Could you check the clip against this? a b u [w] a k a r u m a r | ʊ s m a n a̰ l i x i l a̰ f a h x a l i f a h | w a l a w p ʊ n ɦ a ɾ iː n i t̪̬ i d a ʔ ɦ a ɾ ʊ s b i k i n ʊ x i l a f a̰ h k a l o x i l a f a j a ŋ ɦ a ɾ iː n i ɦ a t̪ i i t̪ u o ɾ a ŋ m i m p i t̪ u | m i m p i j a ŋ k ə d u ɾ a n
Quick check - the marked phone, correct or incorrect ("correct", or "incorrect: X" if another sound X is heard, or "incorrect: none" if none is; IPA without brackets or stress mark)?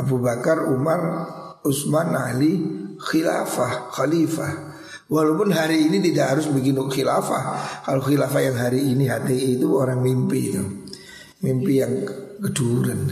incorrect: b